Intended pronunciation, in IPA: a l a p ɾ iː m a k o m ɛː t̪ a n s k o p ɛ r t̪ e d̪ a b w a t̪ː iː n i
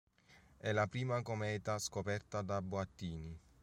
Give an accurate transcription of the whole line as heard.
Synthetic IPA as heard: ɛ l a p ɾ iː m a k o m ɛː t̪ a s k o p ɛ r t̪ a d̪ a b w a t̪ː iː n i